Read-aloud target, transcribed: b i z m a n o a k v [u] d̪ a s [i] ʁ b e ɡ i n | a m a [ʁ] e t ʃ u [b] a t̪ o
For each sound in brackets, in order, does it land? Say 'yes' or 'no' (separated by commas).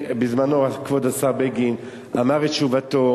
no, no, yes, no